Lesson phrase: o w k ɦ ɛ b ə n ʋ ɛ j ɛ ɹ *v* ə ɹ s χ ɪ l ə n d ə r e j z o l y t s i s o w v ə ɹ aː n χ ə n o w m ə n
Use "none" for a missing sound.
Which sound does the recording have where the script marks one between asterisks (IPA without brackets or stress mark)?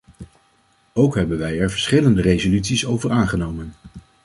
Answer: v